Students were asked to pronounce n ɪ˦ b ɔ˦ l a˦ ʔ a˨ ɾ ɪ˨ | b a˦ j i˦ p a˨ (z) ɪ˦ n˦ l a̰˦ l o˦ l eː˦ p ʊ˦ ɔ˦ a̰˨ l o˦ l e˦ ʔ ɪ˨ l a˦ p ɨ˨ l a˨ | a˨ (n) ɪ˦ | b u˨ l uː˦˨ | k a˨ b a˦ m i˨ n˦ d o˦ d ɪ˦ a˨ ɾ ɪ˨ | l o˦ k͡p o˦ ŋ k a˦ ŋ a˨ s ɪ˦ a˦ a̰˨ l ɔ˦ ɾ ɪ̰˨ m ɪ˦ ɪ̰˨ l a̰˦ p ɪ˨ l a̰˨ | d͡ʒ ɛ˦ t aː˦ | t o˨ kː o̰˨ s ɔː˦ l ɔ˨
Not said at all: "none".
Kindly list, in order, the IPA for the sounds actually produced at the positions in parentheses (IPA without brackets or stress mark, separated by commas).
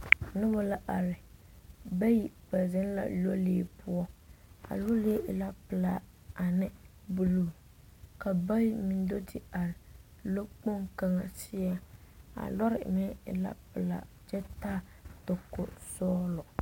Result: z, n